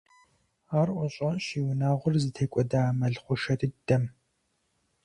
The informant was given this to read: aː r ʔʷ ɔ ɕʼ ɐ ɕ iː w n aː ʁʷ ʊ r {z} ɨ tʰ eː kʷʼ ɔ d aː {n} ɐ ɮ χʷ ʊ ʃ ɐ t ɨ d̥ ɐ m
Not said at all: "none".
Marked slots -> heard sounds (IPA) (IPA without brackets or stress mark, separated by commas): z, m